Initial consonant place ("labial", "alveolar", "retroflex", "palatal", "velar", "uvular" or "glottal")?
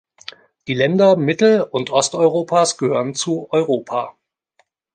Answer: alveolar